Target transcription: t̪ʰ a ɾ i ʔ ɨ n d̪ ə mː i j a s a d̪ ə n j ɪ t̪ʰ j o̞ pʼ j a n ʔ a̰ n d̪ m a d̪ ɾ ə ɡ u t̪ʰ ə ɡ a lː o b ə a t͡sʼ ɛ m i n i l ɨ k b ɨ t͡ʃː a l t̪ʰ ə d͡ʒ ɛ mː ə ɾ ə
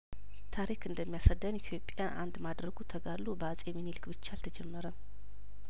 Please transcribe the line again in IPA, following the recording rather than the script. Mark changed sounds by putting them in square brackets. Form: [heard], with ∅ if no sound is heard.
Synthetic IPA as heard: t̪ʰ a ɾ i [k] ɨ n d̪ ə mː i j a s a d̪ ə n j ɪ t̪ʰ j o̞ pʼ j a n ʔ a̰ n d̪ m a d̪ ɾ ə ɡ u t̪ʰ ə ɡ a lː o b ə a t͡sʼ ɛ m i n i l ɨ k b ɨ t͡ʃː a l t̪ʰ ə d͡ʒ ɛ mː ə ɾ ə